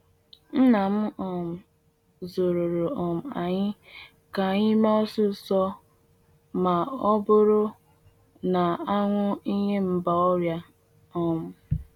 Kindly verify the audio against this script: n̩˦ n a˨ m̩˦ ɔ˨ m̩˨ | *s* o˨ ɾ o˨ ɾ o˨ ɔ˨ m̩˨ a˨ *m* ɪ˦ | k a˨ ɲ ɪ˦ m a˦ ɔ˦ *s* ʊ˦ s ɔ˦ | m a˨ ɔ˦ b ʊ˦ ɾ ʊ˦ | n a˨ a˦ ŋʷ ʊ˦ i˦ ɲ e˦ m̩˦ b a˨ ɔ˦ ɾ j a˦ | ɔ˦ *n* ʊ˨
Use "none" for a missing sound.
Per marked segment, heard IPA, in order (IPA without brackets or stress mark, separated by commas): z, ɲ, s, m